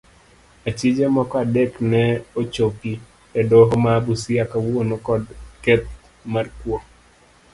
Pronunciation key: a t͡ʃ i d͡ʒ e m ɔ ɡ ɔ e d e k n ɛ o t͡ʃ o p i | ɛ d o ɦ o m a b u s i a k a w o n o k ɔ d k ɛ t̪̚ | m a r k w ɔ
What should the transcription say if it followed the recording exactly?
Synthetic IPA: a t͡ʃ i d͡ʒ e m ɔ k ɔ a d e k n ɛ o t͡ʃ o p i | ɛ d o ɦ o m a b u s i a k a w o n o k ɔ d k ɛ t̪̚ | m a r k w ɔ